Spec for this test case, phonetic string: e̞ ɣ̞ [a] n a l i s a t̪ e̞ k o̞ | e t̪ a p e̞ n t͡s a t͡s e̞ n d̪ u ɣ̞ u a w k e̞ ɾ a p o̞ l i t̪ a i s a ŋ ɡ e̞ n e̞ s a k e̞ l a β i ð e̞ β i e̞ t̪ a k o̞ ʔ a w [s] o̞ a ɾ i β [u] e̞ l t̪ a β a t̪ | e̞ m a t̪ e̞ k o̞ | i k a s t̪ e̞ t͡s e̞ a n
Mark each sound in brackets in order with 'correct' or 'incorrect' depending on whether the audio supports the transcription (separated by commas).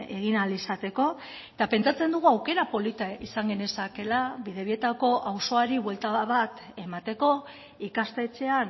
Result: incorrect, correct, incorrect